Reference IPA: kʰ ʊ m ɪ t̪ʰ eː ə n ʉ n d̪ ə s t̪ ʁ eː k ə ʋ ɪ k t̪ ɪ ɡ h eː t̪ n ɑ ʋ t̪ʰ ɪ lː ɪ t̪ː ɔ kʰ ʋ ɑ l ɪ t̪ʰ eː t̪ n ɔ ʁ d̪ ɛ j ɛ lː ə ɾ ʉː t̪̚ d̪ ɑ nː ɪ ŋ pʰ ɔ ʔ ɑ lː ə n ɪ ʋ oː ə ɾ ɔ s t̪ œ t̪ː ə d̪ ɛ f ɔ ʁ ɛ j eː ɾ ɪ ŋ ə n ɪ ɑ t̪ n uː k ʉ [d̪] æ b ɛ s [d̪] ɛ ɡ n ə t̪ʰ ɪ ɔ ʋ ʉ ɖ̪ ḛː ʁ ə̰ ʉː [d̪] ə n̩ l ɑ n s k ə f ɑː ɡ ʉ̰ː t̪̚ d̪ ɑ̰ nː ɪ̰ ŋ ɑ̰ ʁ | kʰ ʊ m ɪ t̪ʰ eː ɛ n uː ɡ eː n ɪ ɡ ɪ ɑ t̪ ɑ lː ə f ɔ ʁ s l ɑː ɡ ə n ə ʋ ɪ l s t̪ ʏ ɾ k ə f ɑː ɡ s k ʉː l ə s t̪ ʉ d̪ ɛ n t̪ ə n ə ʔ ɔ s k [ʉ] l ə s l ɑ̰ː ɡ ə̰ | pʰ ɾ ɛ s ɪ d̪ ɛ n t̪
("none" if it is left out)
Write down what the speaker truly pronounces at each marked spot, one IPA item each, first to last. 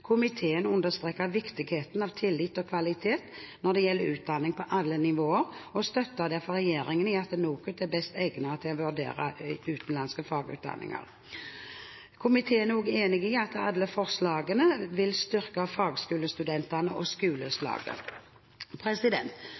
t̪, t̪, t̪, ʉː

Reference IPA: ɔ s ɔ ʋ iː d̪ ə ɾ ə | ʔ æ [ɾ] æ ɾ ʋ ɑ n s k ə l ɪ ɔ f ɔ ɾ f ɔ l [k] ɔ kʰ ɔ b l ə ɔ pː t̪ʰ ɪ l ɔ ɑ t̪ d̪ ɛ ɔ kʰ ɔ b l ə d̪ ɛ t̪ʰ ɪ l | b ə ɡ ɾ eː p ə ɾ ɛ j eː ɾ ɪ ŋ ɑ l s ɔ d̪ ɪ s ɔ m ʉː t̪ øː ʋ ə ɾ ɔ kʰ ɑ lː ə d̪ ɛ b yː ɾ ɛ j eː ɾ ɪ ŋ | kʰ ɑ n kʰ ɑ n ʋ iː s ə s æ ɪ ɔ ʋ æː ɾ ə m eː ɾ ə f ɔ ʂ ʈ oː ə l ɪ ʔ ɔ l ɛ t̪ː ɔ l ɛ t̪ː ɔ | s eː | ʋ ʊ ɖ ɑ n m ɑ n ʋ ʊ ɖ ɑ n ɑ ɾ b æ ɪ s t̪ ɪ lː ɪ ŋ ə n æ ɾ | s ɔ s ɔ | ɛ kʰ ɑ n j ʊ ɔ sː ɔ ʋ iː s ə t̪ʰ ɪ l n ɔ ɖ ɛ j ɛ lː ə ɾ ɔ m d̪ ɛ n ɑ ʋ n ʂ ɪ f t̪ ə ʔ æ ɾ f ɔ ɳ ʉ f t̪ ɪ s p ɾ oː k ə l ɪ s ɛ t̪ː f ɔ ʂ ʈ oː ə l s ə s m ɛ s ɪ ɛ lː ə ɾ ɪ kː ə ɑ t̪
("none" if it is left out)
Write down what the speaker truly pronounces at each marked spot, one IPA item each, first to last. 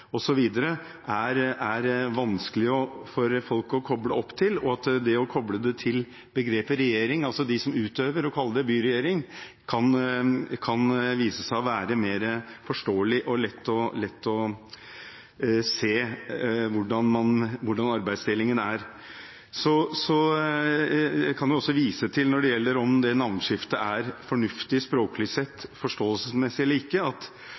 ɾ, k

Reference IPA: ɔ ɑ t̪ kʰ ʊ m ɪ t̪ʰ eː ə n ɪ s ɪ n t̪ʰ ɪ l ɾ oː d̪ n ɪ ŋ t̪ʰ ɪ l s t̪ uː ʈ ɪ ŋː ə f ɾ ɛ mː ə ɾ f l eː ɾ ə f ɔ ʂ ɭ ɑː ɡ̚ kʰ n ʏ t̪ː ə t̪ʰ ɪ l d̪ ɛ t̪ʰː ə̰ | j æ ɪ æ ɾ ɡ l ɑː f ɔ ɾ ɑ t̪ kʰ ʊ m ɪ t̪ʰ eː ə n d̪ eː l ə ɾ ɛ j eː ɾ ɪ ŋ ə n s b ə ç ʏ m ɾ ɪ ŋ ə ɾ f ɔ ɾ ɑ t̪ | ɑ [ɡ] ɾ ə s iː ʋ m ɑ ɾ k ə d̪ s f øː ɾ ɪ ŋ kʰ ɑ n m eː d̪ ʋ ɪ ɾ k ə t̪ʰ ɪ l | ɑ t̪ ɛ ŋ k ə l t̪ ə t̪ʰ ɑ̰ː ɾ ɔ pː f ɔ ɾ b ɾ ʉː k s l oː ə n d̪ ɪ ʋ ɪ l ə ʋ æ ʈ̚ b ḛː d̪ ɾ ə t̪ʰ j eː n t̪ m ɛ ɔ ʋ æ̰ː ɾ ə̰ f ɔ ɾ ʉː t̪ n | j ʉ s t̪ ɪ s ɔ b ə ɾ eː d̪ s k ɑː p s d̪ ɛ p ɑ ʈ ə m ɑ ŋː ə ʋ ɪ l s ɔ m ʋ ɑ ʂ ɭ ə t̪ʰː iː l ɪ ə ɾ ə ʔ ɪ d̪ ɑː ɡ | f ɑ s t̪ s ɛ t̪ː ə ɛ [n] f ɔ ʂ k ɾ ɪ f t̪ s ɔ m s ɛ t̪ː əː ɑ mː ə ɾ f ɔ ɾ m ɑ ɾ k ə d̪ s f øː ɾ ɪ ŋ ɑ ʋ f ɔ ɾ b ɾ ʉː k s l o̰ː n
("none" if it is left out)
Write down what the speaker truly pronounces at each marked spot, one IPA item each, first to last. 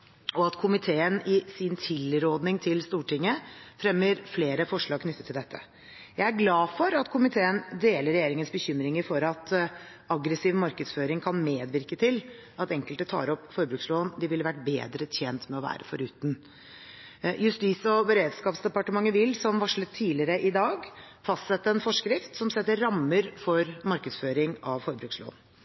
ɡ, n

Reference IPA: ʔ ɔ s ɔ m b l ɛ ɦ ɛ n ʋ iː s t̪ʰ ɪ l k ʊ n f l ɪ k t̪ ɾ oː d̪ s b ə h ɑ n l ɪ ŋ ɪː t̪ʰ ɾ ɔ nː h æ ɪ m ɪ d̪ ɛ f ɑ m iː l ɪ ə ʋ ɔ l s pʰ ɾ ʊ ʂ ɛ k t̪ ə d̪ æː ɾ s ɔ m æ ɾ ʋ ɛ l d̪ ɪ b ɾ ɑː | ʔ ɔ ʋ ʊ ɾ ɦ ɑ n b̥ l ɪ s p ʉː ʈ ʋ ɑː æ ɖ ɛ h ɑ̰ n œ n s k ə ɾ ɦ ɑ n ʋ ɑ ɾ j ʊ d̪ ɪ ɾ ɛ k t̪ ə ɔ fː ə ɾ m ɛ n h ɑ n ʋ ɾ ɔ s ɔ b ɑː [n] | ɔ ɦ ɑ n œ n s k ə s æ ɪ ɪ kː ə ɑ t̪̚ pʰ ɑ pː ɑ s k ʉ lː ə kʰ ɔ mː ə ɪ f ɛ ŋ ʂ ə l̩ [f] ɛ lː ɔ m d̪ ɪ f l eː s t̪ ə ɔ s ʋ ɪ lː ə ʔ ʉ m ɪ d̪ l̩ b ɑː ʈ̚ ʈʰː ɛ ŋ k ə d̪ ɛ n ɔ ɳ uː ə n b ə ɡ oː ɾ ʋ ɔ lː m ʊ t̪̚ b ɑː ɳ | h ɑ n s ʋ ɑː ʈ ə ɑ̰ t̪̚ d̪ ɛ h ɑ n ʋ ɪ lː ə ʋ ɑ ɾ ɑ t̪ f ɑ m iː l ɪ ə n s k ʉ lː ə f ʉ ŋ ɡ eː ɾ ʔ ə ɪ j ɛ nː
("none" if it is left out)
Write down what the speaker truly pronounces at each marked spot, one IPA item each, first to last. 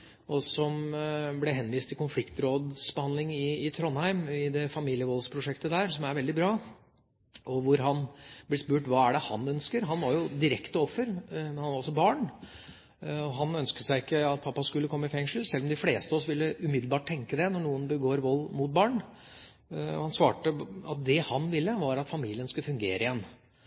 ɳ, s

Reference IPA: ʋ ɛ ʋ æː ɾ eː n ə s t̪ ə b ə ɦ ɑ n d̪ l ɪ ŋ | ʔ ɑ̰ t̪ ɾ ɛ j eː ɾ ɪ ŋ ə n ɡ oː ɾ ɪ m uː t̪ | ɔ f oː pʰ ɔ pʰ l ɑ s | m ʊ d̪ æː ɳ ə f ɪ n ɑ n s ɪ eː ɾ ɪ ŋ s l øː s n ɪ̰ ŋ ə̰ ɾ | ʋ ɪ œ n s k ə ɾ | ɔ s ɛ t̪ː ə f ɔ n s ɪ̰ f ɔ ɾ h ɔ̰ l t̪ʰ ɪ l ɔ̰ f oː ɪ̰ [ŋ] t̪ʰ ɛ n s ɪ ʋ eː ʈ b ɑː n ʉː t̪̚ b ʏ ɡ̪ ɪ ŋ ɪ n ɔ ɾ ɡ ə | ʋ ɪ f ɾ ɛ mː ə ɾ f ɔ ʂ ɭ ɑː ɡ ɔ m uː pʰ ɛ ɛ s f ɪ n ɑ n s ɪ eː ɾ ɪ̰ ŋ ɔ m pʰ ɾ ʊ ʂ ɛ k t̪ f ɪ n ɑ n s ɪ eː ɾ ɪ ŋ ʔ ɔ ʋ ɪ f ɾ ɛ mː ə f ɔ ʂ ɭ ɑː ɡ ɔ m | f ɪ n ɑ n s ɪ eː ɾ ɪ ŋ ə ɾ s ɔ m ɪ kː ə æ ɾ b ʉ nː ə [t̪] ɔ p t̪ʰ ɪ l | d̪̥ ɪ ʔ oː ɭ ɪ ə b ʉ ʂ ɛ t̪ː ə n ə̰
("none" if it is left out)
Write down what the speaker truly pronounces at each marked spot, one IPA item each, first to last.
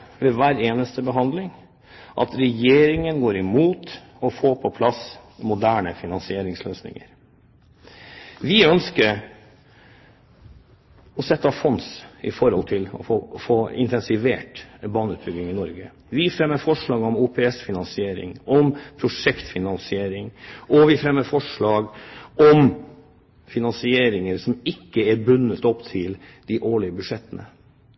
n, t̪

